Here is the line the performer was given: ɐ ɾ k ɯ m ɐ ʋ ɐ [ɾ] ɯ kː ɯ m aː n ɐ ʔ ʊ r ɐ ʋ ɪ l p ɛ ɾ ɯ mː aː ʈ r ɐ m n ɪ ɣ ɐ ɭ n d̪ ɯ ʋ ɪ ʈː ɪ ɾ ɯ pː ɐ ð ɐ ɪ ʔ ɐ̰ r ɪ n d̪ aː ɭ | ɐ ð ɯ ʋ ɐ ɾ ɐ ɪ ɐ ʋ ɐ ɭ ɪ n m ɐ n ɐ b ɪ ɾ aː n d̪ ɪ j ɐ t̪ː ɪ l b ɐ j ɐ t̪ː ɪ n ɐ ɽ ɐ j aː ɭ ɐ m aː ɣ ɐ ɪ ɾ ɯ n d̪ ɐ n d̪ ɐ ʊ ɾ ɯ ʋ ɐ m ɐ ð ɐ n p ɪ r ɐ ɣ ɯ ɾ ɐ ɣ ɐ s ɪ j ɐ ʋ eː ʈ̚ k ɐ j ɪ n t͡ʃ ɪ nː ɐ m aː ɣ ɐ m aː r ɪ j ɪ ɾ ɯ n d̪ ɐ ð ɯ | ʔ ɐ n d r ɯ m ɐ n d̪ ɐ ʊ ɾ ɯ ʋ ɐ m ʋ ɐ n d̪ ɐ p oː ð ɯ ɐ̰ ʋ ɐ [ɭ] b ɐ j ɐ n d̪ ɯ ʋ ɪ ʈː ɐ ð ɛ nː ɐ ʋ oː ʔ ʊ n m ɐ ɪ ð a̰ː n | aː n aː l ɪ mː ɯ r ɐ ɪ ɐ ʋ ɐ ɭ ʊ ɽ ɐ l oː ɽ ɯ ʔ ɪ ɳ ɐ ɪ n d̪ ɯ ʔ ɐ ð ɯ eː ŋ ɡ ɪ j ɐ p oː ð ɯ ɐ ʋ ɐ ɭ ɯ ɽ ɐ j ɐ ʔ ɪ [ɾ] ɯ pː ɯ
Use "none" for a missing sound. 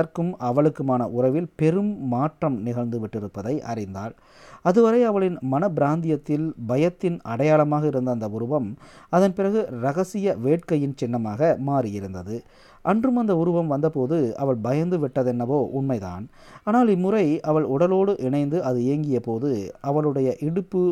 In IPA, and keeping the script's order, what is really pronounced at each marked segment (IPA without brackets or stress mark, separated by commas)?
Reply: ɭ, ɭ, ɽ